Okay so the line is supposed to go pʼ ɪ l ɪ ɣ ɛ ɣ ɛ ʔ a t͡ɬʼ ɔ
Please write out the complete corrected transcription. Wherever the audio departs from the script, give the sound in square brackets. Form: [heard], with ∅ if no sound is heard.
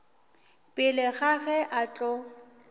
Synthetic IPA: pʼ ɪ l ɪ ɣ [a] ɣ ɛ ʔ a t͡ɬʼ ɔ